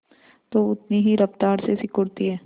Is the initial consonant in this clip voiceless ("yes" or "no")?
yes